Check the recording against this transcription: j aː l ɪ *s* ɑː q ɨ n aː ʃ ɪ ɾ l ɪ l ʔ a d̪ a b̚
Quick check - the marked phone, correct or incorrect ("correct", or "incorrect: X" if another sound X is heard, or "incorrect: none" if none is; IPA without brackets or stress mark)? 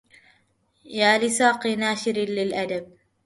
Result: correct